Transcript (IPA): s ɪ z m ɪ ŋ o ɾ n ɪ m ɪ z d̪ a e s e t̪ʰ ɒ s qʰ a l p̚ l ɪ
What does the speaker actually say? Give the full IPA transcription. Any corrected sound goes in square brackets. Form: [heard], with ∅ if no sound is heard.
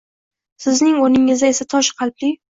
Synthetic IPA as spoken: s ɪ z [n] ɪ ŋ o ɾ n ɪ [ŋ] ɪ z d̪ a e s [a] t̪ʰ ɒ [ʃ] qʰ [ɑ] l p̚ l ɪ